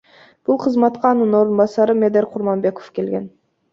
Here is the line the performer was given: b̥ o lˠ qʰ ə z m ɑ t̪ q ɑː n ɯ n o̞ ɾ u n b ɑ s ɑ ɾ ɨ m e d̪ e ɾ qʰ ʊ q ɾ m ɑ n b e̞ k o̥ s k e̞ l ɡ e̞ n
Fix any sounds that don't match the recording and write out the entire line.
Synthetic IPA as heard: b̥ u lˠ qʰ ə z m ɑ t̪ q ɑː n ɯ n o̞ ɾ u n b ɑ s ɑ ɾ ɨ m e d̪ e ɾ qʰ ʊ ɾ m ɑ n b e̞ k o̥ f k e̞ l ɡ e̞ n